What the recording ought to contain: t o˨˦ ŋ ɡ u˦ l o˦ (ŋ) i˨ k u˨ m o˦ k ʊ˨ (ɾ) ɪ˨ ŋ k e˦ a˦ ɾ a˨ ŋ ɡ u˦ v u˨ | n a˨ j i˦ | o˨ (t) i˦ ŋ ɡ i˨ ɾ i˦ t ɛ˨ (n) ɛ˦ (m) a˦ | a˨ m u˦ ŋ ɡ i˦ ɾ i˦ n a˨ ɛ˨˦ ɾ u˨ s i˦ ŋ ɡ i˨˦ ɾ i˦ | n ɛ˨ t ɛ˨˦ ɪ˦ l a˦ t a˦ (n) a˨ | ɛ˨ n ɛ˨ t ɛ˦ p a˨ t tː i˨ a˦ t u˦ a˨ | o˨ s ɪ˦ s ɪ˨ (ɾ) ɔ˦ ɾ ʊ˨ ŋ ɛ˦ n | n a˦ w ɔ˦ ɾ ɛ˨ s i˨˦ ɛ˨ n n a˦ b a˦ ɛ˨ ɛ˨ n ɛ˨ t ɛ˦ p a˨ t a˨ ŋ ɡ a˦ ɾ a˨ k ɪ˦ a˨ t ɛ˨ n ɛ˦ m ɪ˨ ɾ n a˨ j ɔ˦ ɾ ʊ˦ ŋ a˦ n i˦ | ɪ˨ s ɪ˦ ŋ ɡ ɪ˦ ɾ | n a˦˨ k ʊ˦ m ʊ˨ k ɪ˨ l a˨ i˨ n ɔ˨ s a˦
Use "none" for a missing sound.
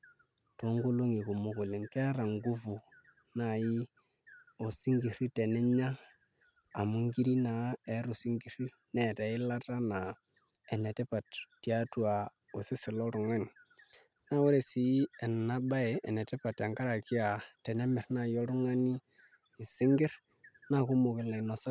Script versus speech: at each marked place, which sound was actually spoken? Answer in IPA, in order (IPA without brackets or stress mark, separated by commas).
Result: ŋ, l, s, n, ɲ, n, l